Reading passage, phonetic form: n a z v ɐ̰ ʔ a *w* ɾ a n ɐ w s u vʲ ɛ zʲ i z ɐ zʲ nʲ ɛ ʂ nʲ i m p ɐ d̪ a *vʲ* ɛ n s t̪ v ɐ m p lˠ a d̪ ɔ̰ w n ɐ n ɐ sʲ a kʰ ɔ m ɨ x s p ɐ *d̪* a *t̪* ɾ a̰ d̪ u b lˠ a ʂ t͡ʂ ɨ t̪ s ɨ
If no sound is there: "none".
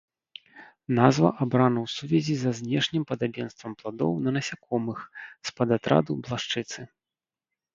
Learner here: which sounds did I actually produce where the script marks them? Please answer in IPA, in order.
b, bʲ, d̪, t̪

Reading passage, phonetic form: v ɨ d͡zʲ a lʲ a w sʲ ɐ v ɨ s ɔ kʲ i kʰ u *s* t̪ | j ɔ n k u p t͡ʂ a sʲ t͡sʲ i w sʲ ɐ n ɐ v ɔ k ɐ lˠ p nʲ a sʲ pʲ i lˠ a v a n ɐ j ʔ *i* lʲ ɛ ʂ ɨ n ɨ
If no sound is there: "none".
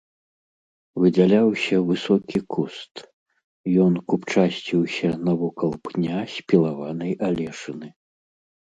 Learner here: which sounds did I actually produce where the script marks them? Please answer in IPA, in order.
s, a

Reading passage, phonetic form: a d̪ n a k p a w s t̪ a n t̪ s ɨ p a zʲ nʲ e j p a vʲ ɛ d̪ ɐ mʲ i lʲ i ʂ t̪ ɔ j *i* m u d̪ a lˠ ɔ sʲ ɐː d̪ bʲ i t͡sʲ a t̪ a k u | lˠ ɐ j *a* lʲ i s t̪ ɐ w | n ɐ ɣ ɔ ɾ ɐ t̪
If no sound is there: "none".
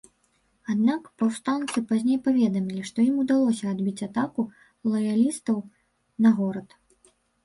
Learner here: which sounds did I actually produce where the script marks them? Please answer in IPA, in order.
i, a

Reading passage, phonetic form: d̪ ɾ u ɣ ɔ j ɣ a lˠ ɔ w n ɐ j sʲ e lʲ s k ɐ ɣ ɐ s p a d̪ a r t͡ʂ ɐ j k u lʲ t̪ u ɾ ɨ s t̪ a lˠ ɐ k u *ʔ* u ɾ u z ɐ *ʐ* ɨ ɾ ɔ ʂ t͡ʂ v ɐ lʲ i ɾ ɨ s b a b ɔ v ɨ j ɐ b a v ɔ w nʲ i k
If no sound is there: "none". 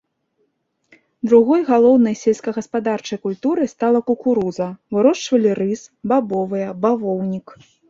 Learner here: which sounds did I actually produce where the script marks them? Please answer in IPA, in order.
k, v

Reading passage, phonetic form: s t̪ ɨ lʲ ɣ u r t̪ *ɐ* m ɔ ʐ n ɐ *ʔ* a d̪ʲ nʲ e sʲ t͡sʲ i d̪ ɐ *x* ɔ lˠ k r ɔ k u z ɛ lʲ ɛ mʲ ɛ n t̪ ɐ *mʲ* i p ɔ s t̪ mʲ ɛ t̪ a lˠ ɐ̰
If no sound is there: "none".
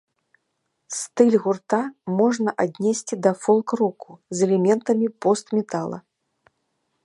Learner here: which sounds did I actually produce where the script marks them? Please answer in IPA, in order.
a, ʔ, f, mʲ

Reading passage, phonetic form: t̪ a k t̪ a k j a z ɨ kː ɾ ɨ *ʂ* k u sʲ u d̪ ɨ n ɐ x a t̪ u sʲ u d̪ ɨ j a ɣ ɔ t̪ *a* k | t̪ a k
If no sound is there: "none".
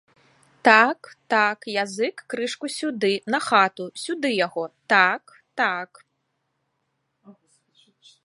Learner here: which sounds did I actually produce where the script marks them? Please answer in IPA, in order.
ʂ, a

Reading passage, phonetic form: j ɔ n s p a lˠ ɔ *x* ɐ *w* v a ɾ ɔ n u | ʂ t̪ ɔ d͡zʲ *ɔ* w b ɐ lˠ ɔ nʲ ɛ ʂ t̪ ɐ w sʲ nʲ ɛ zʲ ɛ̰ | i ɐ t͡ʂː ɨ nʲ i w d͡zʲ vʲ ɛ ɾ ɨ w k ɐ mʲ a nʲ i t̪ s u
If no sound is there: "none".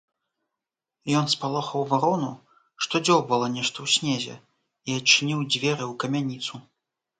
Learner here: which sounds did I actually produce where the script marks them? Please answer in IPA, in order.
x, w, ɔ

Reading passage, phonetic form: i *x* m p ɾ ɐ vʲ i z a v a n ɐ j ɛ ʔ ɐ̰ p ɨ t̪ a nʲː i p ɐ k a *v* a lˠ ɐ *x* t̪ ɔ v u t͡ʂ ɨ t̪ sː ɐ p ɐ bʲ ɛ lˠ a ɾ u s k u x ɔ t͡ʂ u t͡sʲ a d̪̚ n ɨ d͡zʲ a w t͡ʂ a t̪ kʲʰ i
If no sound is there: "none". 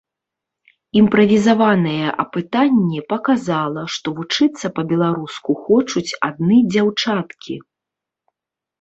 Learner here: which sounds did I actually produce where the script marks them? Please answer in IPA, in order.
none, z, ʂ

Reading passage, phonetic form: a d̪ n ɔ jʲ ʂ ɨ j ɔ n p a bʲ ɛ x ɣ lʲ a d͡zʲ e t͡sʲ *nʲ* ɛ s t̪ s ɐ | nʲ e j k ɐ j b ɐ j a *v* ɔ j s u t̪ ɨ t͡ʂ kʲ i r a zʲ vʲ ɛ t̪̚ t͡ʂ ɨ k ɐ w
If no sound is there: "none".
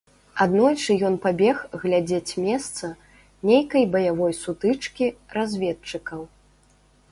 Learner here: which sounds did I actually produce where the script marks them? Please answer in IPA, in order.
mʲ, v

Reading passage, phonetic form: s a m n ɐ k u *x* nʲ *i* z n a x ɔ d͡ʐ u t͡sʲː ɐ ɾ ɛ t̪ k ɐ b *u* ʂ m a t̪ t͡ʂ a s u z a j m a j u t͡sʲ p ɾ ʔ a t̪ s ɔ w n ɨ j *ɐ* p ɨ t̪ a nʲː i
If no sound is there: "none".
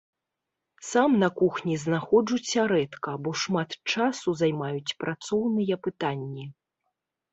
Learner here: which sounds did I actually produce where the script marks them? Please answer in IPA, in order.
x, i, ɔ, ɐ

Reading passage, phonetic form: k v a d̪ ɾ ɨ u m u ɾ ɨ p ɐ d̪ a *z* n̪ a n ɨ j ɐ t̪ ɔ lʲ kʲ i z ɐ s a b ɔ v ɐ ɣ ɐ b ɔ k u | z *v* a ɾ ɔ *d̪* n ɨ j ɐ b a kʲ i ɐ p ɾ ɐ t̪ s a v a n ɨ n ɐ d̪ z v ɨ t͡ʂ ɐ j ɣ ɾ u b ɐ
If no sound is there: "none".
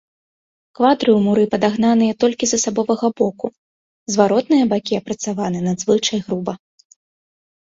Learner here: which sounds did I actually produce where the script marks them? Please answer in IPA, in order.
ɣ, v, t̪

